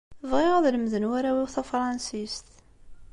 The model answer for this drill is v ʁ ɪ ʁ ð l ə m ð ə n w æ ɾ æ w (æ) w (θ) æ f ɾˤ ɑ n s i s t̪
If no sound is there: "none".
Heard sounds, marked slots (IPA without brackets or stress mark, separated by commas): i, θ